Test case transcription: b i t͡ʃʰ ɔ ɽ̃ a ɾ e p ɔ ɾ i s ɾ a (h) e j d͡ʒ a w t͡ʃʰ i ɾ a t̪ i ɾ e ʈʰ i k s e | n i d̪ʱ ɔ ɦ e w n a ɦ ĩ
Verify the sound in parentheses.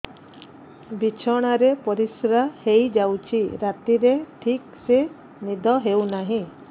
correct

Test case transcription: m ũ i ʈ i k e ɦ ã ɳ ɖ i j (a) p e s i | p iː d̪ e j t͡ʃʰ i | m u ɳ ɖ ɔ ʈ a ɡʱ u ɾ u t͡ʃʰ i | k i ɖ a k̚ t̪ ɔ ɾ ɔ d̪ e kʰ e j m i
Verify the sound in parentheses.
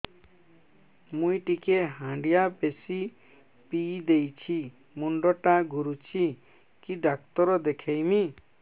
correct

